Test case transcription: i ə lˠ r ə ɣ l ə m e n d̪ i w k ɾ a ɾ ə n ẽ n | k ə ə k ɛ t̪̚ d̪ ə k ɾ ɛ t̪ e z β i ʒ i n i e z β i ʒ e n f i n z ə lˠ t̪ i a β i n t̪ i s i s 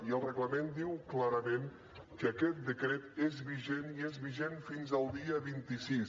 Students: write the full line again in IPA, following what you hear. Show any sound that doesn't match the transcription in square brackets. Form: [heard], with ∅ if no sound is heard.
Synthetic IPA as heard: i ə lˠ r ə ɣ l ə m e n d̪ i w k [l] a ɾ ə [m] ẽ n | k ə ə k ɛ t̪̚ d̪ ə k ɾ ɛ t̪ e z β i ʒ [e] n i e z β i ʒ e n f i n z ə lˠ [d̪] i [ə] β i n t̪ i s i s